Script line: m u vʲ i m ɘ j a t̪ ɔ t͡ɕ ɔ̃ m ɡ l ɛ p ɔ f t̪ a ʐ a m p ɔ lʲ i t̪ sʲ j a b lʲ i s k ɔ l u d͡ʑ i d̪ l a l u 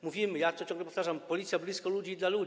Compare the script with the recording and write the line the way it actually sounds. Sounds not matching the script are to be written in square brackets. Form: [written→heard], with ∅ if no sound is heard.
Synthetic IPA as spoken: m u vʲ i m ɘ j a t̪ ɔ t͡ɕ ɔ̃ [m→ŋ] ɡ l ɛ p ɔ f t̪ a ʐ a m p ɔ lʲ i t̪ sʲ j a b lʲ i s k ɔ l u d͡ʑ i d̪ l a l u